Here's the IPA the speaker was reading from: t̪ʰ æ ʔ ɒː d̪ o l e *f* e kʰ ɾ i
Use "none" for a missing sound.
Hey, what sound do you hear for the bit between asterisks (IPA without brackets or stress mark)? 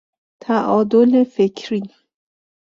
f